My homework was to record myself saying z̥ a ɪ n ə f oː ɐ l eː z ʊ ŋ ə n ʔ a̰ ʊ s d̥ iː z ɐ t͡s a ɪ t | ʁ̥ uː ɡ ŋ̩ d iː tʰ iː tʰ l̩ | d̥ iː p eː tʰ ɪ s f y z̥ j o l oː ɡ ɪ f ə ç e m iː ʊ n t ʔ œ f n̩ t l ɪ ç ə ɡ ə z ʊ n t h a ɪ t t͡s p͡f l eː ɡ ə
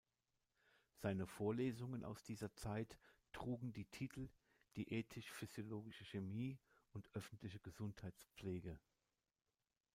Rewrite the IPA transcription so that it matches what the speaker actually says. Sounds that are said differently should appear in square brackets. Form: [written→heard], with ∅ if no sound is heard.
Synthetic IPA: z̥ a ɪ n ə f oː ɐ l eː z ʊ ŋ ə n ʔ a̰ ʊ s d̥ iː z ɐ t͡s a ɪ t | ʁ̥ uː ɡ ŋ̩ d iː tʰ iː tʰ l̩ | d̥ iː [p→ʔ] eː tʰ ɪ [s→ʃ] f y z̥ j o l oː ɡ ɪ [f→ʃ] ə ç e m iː ʊ n t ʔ œ f n̩ t l ɪ ç ə ɡ ə z ʊ n t h a ɪ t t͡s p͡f l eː ɡ ə

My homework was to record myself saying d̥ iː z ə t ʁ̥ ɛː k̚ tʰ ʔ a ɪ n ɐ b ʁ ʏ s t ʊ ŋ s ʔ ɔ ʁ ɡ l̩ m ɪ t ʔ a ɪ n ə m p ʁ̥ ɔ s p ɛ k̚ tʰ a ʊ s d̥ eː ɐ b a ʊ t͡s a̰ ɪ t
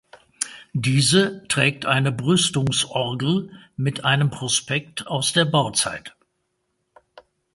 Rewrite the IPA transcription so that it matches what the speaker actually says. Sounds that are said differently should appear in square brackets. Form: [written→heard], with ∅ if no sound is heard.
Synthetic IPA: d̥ iː z ə t ʁ̥ ɛː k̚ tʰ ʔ a ɪ n [ɐ→ə] b ʁ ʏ s t ʊ ŋ s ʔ ɔ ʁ ɡ l̩ m ɪ t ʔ a ɪ n ə m p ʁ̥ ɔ s p ɛ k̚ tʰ a ʊ s d̥ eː ɐ b a ʊ t͡s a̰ ɪ t

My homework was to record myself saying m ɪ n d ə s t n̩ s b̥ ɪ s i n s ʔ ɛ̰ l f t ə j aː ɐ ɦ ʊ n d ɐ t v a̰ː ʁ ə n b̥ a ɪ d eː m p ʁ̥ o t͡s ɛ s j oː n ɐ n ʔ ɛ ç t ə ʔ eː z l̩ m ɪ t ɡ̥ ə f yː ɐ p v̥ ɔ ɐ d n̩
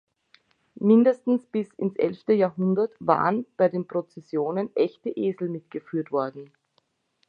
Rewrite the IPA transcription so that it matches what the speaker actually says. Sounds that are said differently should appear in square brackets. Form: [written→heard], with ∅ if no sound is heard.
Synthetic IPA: m ɪ n d ə s t n̩ s b̥ ɪ s [i→ɪ] n s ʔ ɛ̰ l f t ə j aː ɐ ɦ ʊ n d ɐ t v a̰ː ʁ ə n b̥ a ɪ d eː [m→n] p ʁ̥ o t͡s ɛ s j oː n [ɐ→ə] n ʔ ɛ ç t ə ʔ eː z l̩ m ɪ t ɡ̥ ə f yː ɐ [p→t] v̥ ɔ ɐ d n̩

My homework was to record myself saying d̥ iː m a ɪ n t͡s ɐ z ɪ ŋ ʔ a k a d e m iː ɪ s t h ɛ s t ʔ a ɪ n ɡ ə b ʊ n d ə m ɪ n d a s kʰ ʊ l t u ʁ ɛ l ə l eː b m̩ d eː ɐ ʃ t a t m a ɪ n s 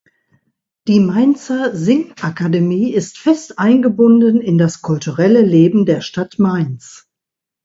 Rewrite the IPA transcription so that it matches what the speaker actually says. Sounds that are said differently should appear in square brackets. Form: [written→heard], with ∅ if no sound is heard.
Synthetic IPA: d̥ iː m a ɪ n t͡s ɐ z ɪ ŋ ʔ a k a d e m iː ɪ s t [h→f] ɛ s t ʔ a ɪ n ɡ ə b ʊ n d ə [m→n] ɪ n d a s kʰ ʊ l t u ʁ ɛ l ə l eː b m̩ d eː ɐ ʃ t a t m a ɪ n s

